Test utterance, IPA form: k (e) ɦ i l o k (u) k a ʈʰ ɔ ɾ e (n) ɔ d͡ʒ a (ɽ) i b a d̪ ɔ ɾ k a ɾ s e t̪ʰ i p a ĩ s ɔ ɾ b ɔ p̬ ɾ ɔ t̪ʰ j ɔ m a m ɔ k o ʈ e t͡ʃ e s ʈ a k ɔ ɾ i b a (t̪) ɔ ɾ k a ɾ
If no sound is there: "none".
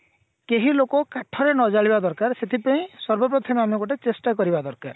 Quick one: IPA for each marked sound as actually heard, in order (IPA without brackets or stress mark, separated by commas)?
e, ɔ, n, ɭ, d̪